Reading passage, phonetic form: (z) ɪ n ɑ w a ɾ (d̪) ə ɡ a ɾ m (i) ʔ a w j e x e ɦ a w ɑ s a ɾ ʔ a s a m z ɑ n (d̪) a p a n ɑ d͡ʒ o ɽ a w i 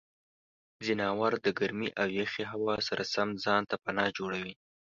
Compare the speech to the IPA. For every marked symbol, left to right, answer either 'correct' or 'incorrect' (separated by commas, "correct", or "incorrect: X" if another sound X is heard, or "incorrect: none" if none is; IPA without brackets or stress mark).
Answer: correct, correct, correct, incorrect: t̪